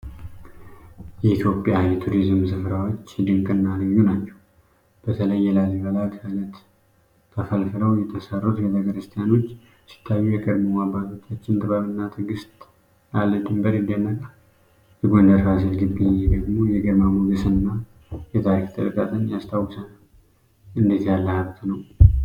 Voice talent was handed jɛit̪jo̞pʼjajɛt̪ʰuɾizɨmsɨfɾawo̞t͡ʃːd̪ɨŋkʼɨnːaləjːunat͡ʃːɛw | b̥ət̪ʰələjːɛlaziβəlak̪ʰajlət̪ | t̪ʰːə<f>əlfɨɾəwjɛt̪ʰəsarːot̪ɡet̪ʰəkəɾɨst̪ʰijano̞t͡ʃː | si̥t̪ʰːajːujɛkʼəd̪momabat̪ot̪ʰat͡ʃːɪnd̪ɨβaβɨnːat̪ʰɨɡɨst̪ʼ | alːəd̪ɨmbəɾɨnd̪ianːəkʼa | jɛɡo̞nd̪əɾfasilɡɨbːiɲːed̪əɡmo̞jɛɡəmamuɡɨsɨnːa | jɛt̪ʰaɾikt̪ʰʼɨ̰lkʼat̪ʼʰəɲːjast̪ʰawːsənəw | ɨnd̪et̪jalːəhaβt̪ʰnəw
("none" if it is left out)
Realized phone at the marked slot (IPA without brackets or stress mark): f